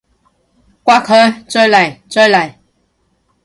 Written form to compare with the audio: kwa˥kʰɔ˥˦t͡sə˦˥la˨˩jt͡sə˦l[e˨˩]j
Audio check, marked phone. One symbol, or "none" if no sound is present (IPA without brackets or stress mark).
a˨˩